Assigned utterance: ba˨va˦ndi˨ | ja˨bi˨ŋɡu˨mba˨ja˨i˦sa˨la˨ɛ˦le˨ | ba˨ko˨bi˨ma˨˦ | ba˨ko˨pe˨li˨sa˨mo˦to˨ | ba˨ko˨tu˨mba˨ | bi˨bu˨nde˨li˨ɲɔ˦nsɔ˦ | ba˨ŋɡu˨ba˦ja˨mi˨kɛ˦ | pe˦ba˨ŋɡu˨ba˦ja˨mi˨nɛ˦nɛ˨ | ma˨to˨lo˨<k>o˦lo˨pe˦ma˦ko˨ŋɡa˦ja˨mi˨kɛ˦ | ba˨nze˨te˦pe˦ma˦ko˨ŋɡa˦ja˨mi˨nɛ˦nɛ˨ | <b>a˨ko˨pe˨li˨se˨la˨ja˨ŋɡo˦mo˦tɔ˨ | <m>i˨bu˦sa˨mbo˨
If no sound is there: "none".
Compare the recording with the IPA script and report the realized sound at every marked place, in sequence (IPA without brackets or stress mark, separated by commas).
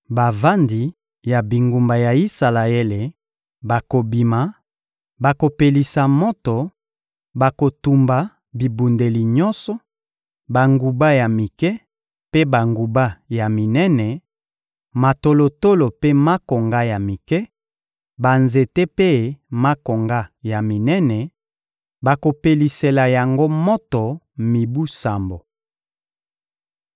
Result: t, b, m